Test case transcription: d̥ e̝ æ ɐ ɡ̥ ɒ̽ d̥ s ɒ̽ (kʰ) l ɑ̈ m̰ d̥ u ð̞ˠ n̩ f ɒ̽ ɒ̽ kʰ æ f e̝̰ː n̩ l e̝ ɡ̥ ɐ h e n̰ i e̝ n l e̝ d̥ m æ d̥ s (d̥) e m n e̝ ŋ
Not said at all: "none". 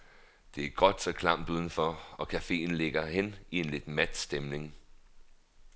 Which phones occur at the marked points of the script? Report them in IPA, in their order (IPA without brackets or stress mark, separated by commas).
kʰ, d̥